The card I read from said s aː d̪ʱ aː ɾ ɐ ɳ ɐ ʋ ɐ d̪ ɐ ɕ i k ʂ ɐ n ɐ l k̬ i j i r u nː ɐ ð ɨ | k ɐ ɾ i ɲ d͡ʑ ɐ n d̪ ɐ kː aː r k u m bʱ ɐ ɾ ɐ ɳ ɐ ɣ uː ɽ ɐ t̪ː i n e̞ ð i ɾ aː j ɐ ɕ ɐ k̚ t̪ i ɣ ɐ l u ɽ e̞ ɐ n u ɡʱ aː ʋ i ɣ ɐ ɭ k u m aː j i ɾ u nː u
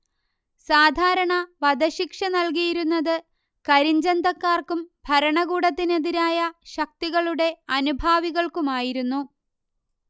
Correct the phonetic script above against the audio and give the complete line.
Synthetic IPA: s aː d̪ʱ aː ɾ ɐ ɳ ɐ ʋ ɐ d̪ ɐ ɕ i k ʂ ɐ n ɐ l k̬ i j i ɾ u nː ɐ ð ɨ | k ɐ ɾ i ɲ d͡ʑ ɐ n d̪ ɐ kː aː r k u m bʱ ɐ ɾ ɐ ɳ ɐ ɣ uː ɽ ɐ t̪ː i n e̞ ð i ɾ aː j ɐ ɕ ɐ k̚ t̪ i ɣ ɐ ɭ u ɽ e̞ ɐ n u bʱ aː ʋ i ɣ ɐ ɭ k u m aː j i ɾ u nː u